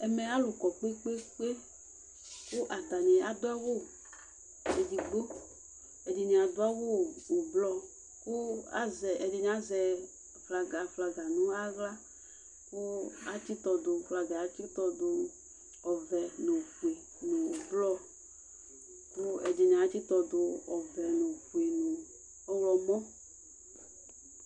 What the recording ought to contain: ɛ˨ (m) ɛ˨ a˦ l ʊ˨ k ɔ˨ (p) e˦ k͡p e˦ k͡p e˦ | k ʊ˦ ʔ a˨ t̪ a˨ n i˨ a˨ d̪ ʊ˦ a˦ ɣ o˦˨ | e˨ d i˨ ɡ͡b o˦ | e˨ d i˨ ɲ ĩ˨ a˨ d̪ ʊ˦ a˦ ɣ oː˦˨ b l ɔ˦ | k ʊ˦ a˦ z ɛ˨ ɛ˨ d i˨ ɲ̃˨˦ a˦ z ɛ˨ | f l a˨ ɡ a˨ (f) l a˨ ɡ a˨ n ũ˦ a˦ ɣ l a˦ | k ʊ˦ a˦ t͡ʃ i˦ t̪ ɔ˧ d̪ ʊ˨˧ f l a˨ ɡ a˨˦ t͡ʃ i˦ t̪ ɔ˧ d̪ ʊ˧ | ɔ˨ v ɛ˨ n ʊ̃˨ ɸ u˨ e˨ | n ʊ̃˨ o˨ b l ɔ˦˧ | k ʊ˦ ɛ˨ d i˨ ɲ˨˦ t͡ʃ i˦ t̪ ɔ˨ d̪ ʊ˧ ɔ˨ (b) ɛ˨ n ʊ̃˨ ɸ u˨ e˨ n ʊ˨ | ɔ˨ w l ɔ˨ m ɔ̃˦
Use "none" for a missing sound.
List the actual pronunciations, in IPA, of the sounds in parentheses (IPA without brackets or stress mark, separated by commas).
m, k͡p, f, v